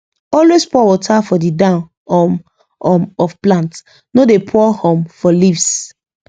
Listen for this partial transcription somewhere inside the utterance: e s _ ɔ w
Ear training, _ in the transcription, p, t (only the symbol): p